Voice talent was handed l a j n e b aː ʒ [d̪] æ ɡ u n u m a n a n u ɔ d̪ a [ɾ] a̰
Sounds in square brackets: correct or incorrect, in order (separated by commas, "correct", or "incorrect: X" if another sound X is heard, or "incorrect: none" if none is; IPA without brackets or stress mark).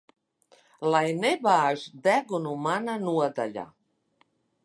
correct, incorrect: ʎ